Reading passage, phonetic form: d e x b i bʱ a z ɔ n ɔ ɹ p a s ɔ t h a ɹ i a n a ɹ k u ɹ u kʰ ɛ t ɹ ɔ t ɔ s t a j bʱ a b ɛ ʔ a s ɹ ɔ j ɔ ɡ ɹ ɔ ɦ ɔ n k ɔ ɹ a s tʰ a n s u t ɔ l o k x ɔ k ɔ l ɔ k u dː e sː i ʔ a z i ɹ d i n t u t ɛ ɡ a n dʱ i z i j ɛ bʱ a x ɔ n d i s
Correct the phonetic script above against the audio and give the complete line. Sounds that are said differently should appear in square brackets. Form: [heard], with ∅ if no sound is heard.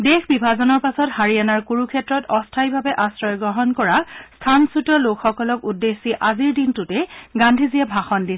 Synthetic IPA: d e x b i bʱ a z ɔ n ɔ ɹ p a s ɔ t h a ɹ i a n a ɹ k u ɹ u kʰ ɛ t ɹ ɔ t ɔ s [tʰ] a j bʱ a b ɛ ʔ a s ɹ ɔ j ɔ ɡ ɹ ɔ ɦ ɔ n k ɔ ɹ a s tʰ a n s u t ɔ l o k x ɔ k ɔ l ɔ k u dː e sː i ʔ a z i ɹ d i n t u t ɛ ɡ a n dʱ i z i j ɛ bʱ a x ɔ n d i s

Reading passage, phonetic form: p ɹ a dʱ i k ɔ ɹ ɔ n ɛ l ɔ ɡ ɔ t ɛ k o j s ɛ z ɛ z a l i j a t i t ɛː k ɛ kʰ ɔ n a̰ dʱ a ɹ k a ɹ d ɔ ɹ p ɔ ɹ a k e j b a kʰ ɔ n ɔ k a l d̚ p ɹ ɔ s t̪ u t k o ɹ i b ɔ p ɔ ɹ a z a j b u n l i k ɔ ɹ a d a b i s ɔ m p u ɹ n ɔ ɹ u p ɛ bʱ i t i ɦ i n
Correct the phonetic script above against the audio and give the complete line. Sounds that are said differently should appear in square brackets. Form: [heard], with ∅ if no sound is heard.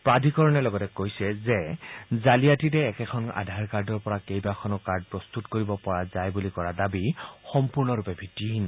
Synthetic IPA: p ɹ a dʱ i k ɔ ɹ ɔ n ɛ l ɔ ɡ ɔ t ɛ k o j s ɛ z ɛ z a l i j a t i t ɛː k ɛ kʰ ɔ n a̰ dʱ a ɹ k a ɹ d ɔ ɹ p ɔ ɹ a k e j b a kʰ ɔ n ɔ k a [ɹ] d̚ p ɹ ɔ s t̪ u t k o ɹ i b ɔ p ɔ ɹ a z a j b u [∅] l i k ɔ ɹ a d a b i [x] ɔ m p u ɹ n ɔ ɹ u p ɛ bʱ i t i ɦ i n

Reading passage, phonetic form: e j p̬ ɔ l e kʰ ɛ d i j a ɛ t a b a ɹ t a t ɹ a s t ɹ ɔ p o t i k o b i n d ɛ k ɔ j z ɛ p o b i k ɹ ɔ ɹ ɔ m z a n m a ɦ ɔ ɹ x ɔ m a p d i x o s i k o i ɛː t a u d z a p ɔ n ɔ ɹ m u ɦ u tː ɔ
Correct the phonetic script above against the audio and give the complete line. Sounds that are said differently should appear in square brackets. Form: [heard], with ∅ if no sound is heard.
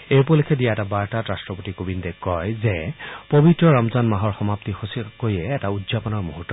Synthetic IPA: e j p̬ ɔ l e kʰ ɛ d i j a ɛ t a b a ɹ t a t ɹ a s t ɹ ɔ p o t i k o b i n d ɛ k ɔ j z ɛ p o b i [t] ɹ ɔ ɹ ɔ m z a n m a ɦ ɔ ɹ x ɔ m a p [t] i x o s i k o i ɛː t a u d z a p ɔ n ɔ ɹ m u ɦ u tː ɔ

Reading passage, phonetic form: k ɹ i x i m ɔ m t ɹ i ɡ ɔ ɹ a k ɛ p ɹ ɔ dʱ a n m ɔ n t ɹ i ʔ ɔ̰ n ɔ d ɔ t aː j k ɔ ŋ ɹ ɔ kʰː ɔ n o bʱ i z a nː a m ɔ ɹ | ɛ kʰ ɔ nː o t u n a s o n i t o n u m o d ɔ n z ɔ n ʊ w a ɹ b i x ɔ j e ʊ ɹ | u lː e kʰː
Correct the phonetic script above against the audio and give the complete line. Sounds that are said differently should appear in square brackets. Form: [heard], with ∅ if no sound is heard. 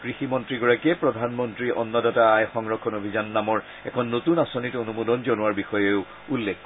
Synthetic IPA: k ɹ i x i m ɔ [n] t ɹ i ɡ ɔ ɹ a k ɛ p ɹ ɔ dʱ a n m ɔ n t ɹ i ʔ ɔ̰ [nː] ɔ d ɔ t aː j [x] ɔ ŋ ɹ ɔ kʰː ɔ n o bʱ i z a nː a m ɔ ɹ | ɛ kʰ ɔ nː o t u n a s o n i t o n u m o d ɔ n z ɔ n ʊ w a ɹ b i x ɔ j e ʊ [∅] | u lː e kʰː

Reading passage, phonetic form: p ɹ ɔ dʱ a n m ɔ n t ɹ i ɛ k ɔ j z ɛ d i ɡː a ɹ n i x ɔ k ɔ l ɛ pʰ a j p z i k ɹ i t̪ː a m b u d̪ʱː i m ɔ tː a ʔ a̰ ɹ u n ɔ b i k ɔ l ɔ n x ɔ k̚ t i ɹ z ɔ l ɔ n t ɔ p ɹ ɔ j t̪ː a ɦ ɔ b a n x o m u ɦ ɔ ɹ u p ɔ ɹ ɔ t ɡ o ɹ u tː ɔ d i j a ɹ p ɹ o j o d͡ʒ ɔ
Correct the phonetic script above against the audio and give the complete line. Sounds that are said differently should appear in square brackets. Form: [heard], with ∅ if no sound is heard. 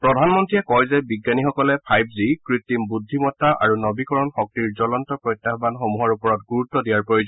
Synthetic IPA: p ɹ ɔ dʱ a n m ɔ n t ɹ i ɛ k ɔ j z ɛ [b] i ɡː a [∅] n i x ɔ k ɔ l ɛ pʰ a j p z i k ɹ i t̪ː [i] m b u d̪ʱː i m ɔ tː a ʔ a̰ ɹ u n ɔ b i k ɔ [ɹ] ɔ n x ɔ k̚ t i ɹ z ɔ l ɔ n t ɔ p ɹ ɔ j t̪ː a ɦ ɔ b a n x o m u ɦ ɔ ɹ u p ɔ ɹ ɔ t ɡ [u] ɹ u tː ɔ d i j a ɹ p ɹ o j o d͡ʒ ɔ

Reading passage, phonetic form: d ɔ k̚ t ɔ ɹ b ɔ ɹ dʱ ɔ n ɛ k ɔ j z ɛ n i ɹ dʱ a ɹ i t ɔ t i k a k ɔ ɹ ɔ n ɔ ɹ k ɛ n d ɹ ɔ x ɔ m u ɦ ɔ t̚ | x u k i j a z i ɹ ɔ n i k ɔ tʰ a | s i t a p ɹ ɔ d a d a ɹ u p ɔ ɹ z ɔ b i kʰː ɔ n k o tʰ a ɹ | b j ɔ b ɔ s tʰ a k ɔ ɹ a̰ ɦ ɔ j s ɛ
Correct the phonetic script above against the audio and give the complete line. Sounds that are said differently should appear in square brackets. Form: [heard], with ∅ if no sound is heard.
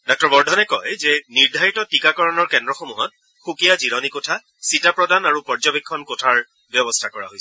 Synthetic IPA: d ɔ k̚ t ɔ ɹ b ɔ ɹ dʱ ɔ n ɛ k ɔ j z ɛ n i ɹ dʱ a ɹ i t ɔ t i k a k ɔ ɹ ɔ n ɔ ɹ k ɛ n d ɹ ɔ x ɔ m u ɦ ɔ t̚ | x u k i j a z i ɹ ɔ n i k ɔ tʰ a | s i t a p ɹ ɔ d a [n] a ɹ u p ɔ ɹ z ɔ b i kʰː ɔ n k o tʰ a ɹ | b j ɔ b ɔ s tʰ a k ɔ ɹ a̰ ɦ [o] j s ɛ

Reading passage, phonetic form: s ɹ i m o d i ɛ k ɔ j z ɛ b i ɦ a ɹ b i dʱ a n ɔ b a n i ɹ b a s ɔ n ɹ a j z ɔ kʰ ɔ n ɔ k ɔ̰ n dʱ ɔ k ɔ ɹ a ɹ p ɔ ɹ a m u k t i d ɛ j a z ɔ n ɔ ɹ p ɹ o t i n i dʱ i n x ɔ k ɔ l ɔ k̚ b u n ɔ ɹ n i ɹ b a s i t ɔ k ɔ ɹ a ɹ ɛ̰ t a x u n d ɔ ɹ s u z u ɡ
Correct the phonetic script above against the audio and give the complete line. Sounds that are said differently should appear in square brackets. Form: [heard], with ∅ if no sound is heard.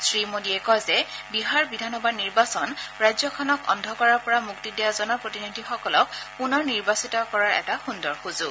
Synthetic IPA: s ɹ i m o d i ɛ k ɔ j z ɛ b i ɦ a ɹ b i dʱ a n ɔ b a n i ɹ b a s ɔ n ɹ a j z ɔ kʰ ɔ n ɔ k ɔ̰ n dʱ ɔ k ɔ ɹ a ɹ p ɔ ɹ a m u k t i d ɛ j a z ɔ n ɔ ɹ p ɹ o t i n i dʱ i [∅] x ɔ k ɔ l ɔ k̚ [p] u n ɔ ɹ n i ɹ b a s i t ɔ k ɔ ɹ a ɹ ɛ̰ t a x u n d ɔ ɹ [x] u z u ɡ

